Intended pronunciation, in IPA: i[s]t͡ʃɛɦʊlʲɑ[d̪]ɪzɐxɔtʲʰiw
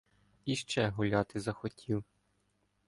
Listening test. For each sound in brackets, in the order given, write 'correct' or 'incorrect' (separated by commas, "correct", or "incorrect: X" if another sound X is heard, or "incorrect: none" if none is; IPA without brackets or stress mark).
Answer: incorrect: ʃ, incorrect: t̪